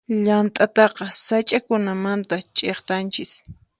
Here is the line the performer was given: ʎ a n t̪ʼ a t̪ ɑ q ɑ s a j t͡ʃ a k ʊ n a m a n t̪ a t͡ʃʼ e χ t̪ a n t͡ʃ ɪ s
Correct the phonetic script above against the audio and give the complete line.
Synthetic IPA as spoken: ʎ a n t̪ʼ a t̪ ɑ q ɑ s a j t͡ʃʼ a k ʊ n a m a n t̪ a t͡ʃʼ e χ t̪ a n t͡ʃ ɪ s

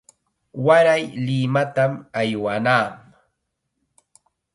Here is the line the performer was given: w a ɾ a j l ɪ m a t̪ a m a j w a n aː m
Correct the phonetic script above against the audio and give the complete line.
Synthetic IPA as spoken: w a ɾ a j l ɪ m a t̪ a m a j w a n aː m

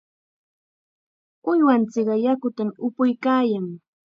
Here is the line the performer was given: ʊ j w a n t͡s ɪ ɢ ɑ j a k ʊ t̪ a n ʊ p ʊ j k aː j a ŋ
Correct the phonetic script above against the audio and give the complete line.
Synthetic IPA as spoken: ʊ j w a n t͡s ɪ ɢ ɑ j a k ʊ t̪ a m ʊ p ʊ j k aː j a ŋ

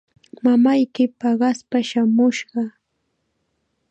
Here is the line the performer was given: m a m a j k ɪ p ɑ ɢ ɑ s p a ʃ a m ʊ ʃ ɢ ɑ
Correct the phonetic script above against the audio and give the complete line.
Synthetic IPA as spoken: m a m a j k ɪ p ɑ ɢ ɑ s p a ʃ a m ʊ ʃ ɢ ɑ

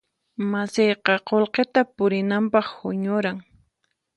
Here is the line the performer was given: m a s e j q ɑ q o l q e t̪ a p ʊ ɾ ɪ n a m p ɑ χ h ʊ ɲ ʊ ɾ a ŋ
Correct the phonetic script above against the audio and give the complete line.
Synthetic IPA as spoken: m a s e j q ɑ q o l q e t̪ a p ʊ ɾ ɪ n a m p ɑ χ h ʊ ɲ ʊ ɾ a ŋ

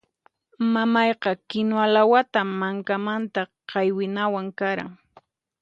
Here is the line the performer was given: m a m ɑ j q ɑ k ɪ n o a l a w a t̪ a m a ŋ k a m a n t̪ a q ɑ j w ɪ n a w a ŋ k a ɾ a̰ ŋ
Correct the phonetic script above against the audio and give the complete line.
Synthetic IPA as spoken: m a m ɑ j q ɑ k ɪ n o a l a w a t̪ a m a ŋ k a m a n t̪ a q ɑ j w ɪ n a w a ŋ k a ɾ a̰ ŋ

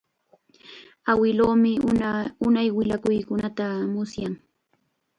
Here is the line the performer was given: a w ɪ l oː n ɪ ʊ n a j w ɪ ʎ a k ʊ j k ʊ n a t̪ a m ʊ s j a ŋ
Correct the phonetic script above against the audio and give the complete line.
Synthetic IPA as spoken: a w ɪ l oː m ɪ ʊ n a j w ɪ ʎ a k ʊ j k ʊ n a t̪ a m ʊ s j a ŋ

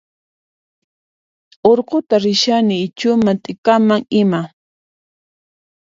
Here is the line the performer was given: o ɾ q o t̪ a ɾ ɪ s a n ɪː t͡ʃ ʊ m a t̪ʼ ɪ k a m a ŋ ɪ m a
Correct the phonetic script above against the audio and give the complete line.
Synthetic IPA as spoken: o ɾ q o t̪ a ɾ ɪ ʃ a n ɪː t͡ʃ ʊ m a t̪ʼ ɪ k a m a ŋ ɪ m a

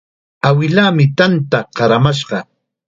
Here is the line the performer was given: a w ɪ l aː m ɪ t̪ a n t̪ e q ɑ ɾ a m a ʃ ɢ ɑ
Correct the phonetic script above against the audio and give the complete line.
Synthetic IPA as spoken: a w ɪ l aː m ɪ t̪ a n t̪ a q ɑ ɾ a m a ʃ ɢ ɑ

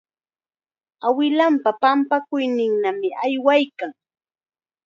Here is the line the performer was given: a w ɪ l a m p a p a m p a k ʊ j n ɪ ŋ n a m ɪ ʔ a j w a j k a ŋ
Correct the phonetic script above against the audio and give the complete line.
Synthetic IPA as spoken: a w ɪ l a m p a p a m p a k ʊ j n ɪ ŋ n a m ɪ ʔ a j w a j k a ŋ

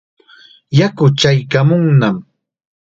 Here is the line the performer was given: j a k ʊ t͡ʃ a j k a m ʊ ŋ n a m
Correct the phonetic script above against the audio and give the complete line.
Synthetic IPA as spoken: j a k ʊ t͡ʃ a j k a m ʊ ŋ n a m

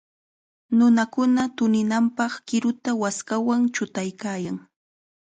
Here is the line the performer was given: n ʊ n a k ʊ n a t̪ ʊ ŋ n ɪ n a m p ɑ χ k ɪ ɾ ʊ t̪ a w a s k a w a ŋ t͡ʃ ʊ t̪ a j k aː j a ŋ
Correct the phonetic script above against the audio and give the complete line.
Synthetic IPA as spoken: n ʊ n a k ʊ n a t̪ ʊ n ɪ n a m p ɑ χ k ɪ ɾ ʊ t̪ a w a s k a w a ŋ t͡ʃ ʊ t̪ a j k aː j a ŋ

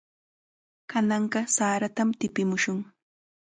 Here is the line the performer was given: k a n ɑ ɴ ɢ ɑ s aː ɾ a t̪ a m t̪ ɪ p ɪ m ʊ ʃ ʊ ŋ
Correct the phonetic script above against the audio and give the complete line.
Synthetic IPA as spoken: k a n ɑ ɴ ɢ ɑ s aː ɾ a t̪ a m t̪ ɪ p ɪ m ʊ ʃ ʊ ŋ

